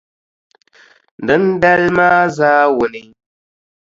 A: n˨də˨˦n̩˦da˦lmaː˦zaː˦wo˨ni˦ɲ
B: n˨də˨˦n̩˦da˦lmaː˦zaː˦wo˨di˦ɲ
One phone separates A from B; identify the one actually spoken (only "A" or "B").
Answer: A